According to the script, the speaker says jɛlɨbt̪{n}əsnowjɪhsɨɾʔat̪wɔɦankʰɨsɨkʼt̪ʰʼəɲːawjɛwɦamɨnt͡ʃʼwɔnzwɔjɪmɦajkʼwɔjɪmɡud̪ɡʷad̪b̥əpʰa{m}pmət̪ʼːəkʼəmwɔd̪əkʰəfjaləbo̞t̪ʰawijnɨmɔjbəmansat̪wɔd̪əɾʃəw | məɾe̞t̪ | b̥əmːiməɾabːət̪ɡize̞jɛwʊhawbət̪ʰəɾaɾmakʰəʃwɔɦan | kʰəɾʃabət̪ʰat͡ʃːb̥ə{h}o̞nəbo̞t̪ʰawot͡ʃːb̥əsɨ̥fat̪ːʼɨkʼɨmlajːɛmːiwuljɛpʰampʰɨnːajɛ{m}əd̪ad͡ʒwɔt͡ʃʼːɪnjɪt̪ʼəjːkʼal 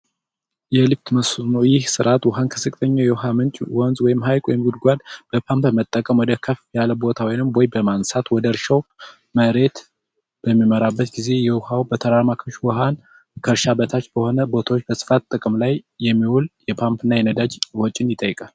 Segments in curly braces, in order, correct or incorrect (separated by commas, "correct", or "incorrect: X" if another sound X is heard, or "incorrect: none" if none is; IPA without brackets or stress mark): incorrect: m, correct, correct, incorrect: n